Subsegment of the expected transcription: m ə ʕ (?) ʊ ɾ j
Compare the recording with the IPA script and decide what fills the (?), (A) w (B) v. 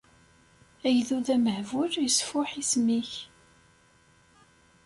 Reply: B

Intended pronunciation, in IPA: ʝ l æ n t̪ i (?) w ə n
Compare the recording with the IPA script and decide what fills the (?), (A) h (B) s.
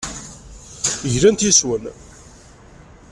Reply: B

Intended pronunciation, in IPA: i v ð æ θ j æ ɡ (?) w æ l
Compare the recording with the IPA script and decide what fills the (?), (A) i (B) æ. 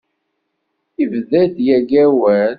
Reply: B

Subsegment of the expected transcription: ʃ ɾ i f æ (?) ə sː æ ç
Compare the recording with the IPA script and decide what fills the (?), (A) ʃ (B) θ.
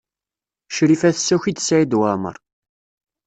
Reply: B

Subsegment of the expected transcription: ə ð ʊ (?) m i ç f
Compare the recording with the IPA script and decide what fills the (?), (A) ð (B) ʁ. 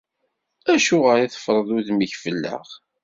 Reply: A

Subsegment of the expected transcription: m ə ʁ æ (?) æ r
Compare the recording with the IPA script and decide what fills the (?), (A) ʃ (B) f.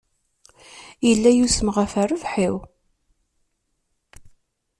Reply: B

